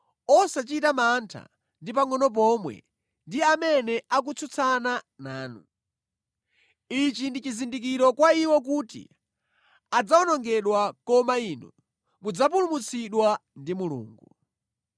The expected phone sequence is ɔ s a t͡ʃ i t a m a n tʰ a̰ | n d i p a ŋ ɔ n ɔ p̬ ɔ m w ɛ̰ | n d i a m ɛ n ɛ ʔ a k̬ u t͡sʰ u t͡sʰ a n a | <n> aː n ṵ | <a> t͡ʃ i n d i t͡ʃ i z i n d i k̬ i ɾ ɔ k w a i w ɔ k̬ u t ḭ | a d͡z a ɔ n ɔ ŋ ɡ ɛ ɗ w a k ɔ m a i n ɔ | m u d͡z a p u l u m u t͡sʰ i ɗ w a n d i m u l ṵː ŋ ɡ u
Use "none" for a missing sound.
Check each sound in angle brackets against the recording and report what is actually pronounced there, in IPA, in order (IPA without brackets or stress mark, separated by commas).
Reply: n, i